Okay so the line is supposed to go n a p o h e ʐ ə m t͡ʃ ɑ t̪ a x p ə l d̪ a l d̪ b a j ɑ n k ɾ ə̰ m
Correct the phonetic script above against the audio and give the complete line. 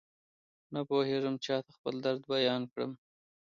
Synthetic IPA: n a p o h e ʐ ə m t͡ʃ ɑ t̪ a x p ə l d̪ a ɾ d̪ b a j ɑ n k ɽ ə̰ m